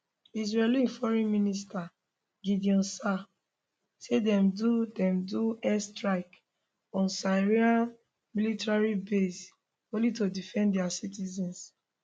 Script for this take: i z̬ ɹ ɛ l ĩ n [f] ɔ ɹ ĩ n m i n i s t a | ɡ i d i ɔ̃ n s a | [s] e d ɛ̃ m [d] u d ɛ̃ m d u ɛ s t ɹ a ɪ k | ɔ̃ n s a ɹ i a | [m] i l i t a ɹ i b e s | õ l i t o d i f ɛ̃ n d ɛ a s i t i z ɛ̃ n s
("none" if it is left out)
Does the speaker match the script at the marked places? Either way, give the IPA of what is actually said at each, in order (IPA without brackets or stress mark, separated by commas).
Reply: f, s, d, m